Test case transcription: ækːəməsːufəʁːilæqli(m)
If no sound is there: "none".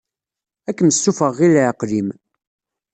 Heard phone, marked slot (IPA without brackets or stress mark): m